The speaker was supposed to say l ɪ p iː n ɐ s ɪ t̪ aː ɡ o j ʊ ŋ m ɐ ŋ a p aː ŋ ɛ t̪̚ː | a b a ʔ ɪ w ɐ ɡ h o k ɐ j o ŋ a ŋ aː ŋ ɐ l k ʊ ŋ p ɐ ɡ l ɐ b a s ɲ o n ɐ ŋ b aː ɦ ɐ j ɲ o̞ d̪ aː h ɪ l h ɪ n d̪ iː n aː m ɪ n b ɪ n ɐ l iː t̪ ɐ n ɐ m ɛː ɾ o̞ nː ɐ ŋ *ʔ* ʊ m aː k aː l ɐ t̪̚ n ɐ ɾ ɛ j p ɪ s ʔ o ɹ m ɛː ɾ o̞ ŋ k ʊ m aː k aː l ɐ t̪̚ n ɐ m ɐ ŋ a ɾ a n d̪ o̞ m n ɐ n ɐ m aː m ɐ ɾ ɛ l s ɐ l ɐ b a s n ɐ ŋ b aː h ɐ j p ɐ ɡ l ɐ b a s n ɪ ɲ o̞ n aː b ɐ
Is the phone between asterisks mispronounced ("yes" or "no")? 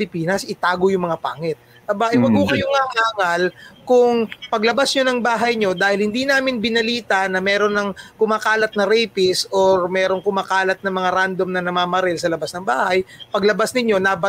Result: yes